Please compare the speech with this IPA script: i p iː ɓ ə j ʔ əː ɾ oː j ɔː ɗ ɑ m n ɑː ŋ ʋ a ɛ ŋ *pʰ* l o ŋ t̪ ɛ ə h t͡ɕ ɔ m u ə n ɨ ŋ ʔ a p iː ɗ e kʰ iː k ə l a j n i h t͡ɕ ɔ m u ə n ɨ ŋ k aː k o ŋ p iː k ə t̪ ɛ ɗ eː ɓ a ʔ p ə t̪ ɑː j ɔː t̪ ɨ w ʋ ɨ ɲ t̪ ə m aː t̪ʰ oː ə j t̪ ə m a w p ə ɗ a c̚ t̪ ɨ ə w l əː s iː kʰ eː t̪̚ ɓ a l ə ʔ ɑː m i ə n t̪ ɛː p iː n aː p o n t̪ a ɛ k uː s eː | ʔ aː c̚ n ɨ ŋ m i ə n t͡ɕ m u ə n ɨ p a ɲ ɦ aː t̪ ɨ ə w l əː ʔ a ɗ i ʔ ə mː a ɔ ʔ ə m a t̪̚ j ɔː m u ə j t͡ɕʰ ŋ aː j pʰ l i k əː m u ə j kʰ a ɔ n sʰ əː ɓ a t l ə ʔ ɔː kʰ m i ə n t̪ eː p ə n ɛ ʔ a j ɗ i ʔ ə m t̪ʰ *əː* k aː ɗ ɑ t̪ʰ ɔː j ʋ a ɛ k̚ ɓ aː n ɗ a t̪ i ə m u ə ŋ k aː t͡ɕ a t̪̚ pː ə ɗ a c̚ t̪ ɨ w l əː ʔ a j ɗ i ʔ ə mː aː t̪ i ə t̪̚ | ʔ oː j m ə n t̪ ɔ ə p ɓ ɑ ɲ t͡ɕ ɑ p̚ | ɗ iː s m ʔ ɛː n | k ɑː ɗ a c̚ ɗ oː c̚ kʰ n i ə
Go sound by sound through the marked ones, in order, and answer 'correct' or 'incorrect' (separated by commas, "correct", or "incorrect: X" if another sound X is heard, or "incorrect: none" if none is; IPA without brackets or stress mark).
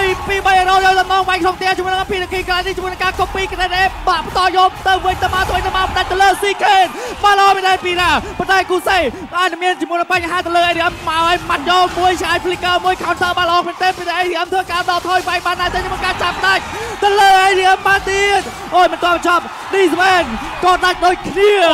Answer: incorrect: kʰ, correct